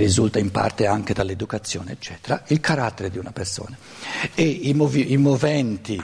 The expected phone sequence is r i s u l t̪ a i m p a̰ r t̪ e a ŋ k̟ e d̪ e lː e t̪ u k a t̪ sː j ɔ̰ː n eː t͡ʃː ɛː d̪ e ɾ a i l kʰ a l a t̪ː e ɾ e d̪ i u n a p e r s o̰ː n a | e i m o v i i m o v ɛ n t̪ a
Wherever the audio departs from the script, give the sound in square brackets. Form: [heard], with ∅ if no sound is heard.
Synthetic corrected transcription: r i [z] u l t̪ a i m p a̰ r t̪ e a ŋ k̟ e d̪ [a] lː e [d̪] u k a t̪ sː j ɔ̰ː n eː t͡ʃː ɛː [t̪] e ɾ a i l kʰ a [ɾ] a t̪ː e ɾ e d̪ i u n a p e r s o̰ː n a | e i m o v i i m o v ɛ n t̪ [i]